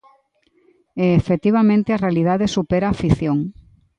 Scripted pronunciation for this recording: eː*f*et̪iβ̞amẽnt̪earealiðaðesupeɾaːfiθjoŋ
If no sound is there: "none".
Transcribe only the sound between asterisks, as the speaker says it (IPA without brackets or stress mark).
f